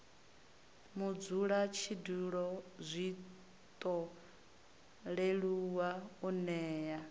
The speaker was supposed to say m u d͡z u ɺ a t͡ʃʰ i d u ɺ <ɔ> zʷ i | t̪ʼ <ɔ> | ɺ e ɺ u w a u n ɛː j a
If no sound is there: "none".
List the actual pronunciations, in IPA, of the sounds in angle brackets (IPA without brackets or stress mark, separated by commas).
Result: ɔ, ɔ